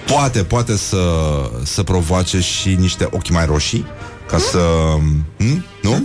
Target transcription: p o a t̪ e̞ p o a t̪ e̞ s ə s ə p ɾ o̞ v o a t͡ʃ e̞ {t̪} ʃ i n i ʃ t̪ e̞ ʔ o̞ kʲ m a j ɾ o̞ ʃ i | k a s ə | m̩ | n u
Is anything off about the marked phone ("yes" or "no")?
yes